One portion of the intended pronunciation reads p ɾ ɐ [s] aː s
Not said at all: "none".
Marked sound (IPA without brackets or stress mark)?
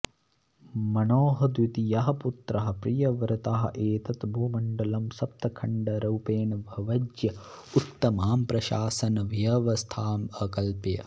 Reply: ʃ